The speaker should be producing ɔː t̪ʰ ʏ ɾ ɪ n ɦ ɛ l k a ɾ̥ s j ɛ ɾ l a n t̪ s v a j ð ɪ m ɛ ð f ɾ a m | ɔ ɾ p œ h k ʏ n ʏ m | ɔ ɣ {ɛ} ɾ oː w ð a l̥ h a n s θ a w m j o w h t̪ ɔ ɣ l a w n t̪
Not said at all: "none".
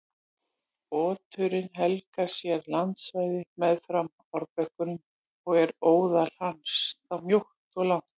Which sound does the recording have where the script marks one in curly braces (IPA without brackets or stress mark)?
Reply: ɛ